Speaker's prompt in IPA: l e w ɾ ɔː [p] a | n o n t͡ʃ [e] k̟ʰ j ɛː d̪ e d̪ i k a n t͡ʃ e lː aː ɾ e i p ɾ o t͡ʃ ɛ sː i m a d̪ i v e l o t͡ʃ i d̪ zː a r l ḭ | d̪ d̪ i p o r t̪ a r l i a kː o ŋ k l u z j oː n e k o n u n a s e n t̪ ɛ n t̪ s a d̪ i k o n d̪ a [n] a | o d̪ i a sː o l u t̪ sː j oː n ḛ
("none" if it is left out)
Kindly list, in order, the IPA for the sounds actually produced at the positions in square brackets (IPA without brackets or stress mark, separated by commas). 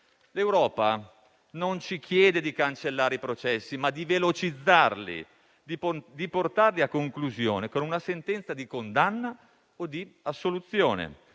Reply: p, i, nː